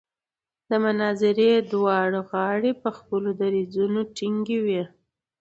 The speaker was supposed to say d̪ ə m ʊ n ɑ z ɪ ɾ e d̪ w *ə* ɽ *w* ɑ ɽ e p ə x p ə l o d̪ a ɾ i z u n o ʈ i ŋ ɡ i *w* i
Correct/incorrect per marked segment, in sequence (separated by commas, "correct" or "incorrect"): incorrect, incorrect, correct